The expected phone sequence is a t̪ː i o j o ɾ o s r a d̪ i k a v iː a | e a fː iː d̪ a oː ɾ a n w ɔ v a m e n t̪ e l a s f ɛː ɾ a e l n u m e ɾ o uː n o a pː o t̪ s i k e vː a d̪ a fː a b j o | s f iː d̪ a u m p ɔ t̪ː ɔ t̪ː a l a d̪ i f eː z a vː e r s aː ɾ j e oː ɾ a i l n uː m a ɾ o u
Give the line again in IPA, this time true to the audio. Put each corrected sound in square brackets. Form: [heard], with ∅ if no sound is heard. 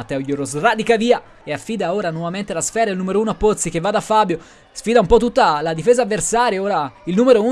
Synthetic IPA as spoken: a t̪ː [ɛ] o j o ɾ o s r a d̪ i k a v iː a | e a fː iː d̪ a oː ɾ a n w ɔ v a m e n t̪ e l a s f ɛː ɾ a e l n u m e ɾ o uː n o a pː o t̪ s i k e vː a d̪ a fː a b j o | s f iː d̪ a u m p ɔ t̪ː [u] t̪ː a l a d̪ i f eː z a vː e r s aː ɾ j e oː ɾ a i l n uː m [e] ɾ o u